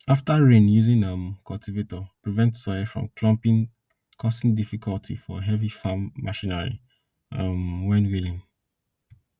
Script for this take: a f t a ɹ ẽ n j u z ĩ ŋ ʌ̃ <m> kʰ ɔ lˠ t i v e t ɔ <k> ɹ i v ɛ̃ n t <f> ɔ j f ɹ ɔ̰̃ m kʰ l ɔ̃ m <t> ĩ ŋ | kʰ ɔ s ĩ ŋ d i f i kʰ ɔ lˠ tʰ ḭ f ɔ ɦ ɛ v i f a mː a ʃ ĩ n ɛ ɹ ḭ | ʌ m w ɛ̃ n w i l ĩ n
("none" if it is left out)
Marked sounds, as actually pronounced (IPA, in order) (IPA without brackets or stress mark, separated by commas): m, p, s, p